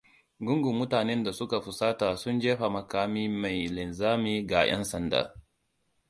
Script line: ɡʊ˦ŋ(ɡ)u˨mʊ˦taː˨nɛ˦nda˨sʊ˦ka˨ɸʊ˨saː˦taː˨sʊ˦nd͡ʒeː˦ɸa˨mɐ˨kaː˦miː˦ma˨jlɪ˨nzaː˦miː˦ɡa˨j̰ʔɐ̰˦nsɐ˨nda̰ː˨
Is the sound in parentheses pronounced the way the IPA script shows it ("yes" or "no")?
yes